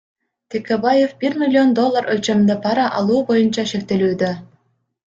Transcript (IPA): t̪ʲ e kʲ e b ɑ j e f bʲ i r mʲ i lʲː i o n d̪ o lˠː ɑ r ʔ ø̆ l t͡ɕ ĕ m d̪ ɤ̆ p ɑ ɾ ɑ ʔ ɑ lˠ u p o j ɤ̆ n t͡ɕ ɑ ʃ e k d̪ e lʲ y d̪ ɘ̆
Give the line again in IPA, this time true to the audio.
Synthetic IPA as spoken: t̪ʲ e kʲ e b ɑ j e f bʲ i r mʲ i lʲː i o n d̪ o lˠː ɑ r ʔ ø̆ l t͡ɕ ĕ m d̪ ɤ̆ p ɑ ɾ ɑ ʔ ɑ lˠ u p o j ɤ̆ n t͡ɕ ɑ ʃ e k t̪ e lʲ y d̪ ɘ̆